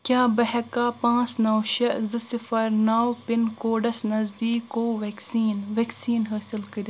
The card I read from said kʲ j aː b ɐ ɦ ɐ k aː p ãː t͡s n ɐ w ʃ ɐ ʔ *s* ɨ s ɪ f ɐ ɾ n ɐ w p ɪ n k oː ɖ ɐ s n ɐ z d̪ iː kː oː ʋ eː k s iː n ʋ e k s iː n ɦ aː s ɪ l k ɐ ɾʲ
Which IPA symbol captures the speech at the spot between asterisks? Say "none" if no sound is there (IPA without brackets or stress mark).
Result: z